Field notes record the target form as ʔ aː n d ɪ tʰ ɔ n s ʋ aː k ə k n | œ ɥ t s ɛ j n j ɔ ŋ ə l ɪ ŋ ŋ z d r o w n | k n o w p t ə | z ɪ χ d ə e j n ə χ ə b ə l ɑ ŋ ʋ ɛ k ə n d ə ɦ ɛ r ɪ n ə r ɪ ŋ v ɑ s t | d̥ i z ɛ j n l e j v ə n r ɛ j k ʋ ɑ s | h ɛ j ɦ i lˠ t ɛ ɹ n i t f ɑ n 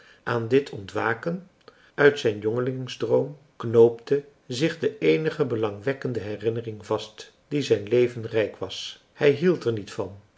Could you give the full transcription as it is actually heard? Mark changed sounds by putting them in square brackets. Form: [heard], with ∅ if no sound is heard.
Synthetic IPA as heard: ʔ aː n d ɪ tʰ ɔ n [t] ʋ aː k ə [∅] n | œ ɥ t s ɛ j n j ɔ ŋ ə l ɪ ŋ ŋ z d r o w [m] | k n o w p t ə | z ɪ χ d ə e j n ə χ ə b ə l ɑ ŋ ʋ ɛ k ə n d ə ɦ ɛ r ɪ n ə r ɪ ŋ v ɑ s t | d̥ i z ɛ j n l e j v ə n r ɛ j k ʋ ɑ s | h ɛ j ɦ i lˠ t ɛ ɹ n i t f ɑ n